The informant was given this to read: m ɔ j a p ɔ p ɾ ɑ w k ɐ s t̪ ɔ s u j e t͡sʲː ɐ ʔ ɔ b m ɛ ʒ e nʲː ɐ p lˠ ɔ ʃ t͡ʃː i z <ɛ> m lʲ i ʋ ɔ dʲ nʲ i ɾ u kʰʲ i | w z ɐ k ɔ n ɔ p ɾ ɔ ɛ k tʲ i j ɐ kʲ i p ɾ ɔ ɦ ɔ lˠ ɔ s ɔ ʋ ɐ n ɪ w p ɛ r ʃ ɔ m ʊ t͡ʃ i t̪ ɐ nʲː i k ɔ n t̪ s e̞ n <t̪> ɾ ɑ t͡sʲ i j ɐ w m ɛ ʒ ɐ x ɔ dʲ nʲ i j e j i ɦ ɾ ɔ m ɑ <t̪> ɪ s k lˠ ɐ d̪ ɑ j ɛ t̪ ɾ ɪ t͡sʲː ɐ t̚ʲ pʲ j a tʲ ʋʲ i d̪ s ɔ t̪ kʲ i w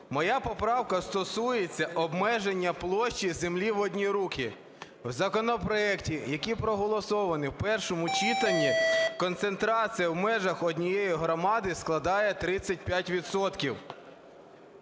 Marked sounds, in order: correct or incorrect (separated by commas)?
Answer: incorrect, correct, incorrect